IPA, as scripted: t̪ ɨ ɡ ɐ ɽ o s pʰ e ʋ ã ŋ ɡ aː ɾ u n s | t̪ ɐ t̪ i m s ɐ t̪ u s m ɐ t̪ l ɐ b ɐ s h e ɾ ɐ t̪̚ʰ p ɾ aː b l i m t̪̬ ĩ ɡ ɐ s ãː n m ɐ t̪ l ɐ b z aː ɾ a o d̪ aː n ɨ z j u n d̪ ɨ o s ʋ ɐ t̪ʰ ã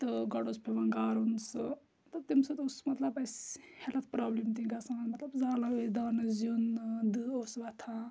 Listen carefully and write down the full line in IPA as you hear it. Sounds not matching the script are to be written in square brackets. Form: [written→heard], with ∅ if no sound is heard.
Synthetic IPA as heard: t̪ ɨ ɡ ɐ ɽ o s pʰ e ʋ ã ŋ ɡ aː ɾ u n s | t̪ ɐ t̪ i m s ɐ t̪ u s m ɐ t̪ l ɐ b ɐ s h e [ɾ→l] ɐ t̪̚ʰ p ɾ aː b l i m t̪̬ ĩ ɡ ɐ s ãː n m ɐ t̪ l ɐ b z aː [ɾ→l] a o d̪ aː n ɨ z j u n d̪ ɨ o s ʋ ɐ t̪ʰ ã